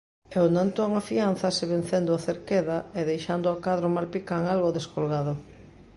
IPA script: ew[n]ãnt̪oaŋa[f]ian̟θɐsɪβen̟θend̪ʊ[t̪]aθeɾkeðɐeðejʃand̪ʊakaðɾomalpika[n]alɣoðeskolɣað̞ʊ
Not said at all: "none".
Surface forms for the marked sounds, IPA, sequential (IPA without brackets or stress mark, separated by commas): n, f, none, ŋ